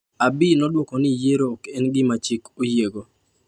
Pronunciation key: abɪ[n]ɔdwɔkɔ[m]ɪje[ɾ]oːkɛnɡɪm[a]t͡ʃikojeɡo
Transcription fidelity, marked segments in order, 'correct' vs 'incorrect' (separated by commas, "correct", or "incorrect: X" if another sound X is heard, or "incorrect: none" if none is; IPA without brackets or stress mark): correct, incorrect: n, correct, correct